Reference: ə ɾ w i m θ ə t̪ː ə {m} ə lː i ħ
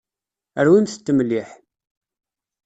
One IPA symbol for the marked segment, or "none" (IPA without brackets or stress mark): m